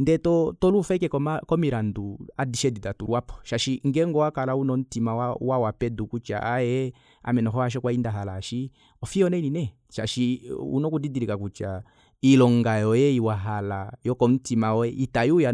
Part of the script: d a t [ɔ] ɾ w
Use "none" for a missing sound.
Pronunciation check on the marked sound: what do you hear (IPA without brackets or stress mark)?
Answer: u